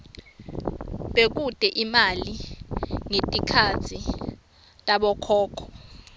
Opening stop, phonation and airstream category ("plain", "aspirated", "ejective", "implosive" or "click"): implosive